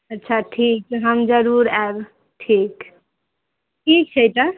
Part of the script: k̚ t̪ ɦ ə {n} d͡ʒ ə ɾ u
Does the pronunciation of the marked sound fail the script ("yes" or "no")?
yes